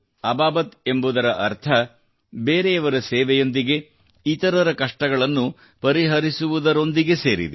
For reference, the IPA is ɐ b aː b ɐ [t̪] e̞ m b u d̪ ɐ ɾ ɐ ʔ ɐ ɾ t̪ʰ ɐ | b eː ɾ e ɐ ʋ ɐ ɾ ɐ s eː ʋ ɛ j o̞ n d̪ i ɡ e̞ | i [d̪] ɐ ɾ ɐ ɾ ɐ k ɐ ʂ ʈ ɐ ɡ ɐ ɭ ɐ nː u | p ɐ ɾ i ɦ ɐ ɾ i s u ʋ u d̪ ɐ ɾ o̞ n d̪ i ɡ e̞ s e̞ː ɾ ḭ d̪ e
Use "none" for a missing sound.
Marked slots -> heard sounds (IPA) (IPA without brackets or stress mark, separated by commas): t̪, t̪